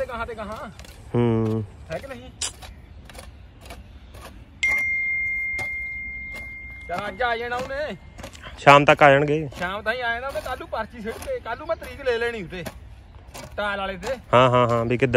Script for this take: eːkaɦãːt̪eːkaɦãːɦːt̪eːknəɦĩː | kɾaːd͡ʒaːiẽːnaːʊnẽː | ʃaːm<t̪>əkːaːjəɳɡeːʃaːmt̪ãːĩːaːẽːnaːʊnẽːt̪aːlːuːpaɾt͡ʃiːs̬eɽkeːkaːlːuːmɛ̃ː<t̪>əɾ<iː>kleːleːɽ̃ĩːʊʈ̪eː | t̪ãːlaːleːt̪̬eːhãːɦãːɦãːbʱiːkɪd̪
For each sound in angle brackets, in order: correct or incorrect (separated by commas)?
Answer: correct, correct, correct